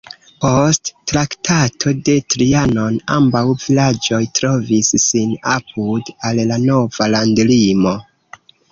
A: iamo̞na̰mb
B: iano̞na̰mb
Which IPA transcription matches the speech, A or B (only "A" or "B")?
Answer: B